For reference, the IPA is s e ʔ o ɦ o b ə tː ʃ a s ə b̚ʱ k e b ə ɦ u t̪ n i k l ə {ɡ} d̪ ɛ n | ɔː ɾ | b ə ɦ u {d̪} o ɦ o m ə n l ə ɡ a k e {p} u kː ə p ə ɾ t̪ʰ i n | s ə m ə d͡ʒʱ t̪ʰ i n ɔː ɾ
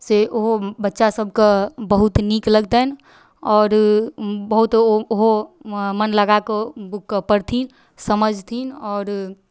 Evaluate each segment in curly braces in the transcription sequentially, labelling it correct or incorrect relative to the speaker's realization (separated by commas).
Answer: correct, incorrect, incorrect